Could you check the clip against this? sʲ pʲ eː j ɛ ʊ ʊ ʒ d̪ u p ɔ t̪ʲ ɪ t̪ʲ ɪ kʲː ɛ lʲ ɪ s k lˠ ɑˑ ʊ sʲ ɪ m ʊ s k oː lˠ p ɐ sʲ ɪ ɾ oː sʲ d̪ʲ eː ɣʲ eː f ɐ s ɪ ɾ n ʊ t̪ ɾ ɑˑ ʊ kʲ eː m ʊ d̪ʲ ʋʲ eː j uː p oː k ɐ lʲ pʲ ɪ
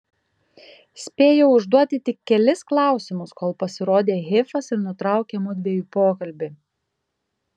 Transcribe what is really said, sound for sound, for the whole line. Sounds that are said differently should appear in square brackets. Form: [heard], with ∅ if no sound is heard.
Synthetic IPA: sʲ pʲ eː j ɛ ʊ ʊ ʒ d̪ u [∅] ɔ t̪ʲ ɪ t̪ʲ ɪ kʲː ɛ lʲ ɪ s k lˠ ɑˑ ʊ sʲ ɪ m ʊ s k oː lˠ p ɐ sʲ ɪ ɾ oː [∅] d̪ʲ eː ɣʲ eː f ɐ s ɪ ɾ n ʊ t̪ ɾ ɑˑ ʊ kʲ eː m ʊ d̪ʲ ʋʲ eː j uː p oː k ɐ lʲ [bʲ] ɪ